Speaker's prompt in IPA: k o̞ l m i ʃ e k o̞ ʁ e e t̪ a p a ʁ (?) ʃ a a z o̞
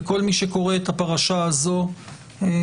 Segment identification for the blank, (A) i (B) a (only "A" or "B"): B